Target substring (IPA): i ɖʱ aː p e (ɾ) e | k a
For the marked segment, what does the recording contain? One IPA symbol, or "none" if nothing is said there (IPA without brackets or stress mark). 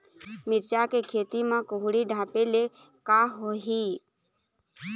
l